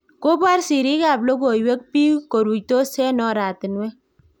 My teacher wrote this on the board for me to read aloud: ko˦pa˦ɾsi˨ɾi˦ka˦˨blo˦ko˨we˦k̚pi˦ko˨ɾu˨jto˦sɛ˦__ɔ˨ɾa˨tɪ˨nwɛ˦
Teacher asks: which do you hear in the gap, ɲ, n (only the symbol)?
n